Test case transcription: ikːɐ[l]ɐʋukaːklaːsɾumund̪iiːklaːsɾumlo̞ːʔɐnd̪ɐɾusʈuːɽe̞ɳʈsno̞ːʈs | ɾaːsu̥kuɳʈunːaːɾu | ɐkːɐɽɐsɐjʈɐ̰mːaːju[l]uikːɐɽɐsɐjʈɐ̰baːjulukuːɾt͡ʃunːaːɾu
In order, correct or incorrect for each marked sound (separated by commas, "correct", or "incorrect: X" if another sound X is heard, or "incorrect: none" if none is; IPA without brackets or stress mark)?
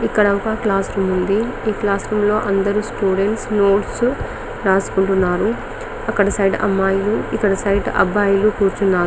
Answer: incorrect: ɽ, correct